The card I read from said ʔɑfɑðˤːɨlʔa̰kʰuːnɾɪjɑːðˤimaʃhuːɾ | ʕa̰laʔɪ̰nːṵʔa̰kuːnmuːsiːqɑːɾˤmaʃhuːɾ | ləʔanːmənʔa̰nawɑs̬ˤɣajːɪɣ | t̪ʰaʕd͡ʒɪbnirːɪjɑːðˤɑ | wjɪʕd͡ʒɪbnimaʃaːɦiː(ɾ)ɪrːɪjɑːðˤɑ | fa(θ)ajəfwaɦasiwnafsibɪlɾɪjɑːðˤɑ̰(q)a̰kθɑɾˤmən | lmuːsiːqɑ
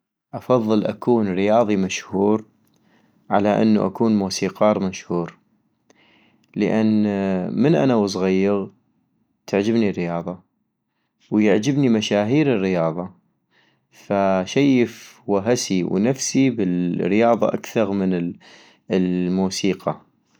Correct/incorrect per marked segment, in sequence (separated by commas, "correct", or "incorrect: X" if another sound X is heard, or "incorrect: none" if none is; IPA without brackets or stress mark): correct, incorrect: ʃ, incorrect: ʔ